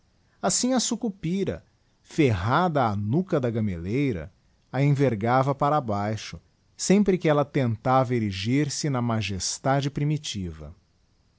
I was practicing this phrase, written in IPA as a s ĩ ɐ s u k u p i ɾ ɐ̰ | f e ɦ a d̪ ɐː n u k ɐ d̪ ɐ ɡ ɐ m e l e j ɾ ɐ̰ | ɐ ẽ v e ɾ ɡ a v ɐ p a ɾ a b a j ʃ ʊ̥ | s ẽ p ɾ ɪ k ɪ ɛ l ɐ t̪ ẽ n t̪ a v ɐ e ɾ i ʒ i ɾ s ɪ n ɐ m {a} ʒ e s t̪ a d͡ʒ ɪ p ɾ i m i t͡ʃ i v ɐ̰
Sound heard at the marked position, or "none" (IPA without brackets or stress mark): a